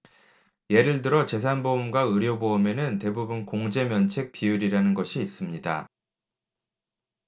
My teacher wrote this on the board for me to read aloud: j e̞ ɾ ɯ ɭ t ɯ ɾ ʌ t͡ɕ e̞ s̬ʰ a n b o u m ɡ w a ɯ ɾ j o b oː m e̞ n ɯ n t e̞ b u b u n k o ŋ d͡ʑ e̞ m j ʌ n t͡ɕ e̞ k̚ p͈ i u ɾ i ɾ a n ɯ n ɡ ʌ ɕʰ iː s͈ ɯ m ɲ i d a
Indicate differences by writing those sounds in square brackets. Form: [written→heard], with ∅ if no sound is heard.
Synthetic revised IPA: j e̞ ɾ ɯ ɭ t ɯ ɾ ʌ t͡ɕ e̞ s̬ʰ a n b o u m ɡ w a ɯ ɾ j o b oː m e̞ n ɯ n t e̞ b u b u n k o ŋ d͡ʑ e̞ m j ʌ n [t͡ɕ→t͡ɕʰ] e̞ k̚ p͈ i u ɾ i ɾ a n ɯ n ɡ ʌ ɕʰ iː s͈ ɯ m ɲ i d a